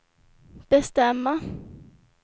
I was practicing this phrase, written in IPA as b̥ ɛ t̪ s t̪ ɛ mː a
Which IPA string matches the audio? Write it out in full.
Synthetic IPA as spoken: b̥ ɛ s t̪ ɛ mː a